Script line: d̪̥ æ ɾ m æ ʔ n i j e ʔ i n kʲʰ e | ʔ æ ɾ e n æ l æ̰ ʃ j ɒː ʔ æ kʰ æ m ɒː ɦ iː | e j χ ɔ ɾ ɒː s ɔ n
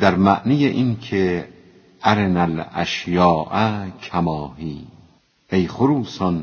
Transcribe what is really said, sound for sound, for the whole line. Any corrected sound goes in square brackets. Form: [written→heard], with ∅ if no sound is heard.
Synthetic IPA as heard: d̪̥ æ ɾ m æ ʔ n i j e ʔ i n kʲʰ e | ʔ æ ɾ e n æ l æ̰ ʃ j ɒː ʔ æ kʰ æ m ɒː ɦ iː | e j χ [ɔ→o] ɾ [ɒː→uː] s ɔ n